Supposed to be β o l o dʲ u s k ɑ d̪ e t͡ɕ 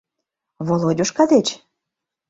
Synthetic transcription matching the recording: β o l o dʲ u ʃ k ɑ d̪ e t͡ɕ